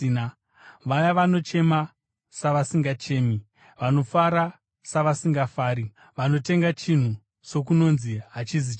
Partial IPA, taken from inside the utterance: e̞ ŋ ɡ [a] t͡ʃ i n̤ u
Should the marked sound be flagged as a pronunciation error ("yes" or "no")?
no